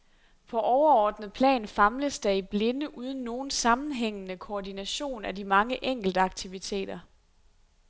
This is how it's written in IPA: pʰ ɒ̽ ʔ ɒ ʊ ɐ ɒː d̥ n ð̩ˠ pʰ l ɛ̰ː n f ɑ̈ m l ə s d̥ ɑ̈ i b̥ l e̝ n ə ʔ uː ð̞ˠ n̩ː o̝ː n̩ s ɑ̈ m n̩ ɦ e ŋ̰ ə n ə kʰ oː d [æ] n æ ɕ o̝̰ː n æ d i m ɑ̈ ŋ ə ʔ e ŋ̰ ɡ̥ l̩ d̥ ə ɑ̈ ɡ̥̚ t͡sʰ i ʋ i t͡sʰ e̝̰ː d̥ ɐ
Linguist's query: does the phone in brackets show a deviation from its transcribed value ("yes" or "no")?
yes